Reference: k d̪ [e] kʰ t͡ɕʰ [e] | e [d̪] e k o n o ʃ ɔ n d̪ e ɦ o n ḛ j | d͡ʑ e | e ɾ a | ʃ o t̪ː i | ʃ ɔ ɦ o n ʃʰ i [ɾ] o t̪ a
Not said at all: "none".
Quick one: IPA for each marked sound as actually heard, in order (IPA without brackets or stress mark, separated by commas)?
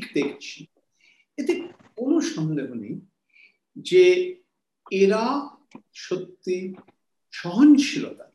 e, i, t̪, l